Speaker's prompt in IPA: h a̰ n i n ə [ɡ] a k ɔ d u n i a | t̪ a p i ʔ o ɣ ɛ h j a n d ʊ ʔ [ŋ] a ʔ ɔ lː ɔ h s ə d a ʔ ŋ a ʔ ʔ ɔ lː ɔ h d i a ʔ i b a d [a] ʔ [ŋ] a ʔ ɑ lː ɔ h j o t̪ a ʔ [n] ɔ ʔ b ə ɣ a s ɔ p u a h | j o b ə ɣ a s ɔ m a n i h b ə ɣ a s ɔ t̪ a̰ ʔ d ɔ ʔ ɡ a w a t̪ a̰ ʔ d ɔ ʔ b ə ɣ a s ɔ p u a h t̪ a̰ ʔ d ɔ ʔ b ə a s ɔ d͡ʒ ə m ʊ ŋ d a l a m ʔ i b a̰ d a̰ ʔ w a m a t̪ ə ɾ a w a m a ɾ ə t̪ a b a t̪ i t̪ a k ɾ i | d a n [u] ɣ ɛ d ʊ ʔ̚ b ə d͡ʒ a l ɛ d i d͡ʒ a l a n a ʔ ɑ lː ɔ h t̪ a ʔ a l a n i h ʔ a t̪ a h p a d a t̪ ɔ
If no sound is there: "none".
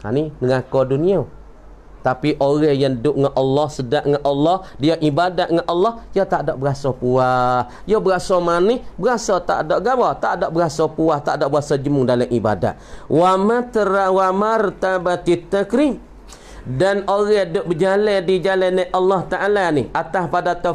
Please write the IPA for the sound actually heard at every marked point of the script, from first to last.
ŋ, ŋ, a, ŋ, d, o

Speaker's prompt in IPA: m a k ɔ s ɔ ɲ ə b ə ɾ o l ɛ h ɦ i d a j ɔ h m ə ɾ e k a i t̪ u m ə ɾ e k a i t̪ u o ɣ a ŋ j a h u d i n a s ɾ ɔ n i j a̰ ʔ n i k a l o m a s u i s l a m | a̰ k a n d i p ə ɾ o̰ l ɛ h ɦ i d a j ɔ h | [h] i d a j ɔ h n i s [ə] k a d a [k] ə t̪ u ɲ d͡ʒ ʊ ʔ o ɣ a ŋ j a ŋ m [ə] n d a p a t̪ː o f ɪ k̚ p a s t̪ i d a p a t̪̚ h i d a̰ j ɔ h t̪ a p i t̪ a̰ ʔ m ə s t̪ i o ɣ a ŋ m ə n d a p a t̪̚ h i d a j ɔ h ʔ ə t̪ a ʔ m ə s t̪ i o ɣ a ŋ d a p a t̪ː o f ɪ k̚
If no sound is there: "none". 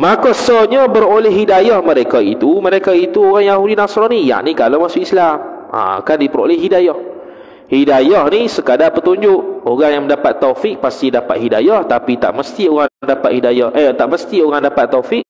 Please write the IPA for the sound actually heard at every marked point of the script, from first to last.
h, ə, p, ə

